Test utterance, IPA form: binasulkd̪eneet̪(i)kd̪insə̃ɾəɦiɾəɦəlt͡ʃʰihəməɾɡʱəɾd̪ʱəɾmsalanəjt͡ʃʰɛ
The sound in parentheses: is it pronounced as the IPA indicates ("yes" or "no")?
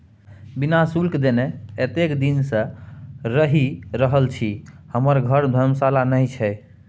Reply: no